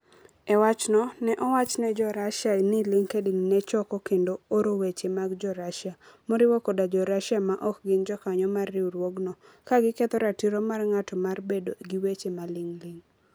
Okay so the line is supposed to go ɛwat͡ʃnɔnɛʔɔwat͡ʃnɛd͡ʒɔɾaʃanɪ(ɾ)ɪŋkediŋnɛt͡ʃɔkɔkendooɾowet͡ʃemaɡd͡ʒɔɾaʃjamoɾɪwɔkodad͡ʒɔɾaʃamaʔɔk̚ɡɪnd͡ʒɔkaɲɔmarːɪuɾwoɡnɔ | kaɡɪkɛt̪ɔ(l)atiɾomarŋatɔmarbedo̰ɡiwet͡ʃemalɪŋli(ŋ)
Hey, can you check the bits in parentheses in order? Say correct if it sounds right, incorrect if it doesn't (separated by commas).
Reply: incorrect, incorrect, correct